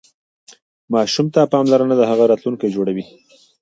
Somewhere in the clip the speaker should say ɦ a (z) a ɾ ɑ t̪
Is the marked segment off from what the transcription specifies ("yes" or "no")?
yes